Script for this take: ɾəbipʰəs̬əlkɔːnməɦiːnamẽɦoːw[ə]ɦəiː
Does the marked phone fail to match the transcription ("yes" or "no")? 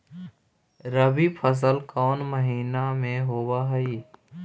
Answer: yes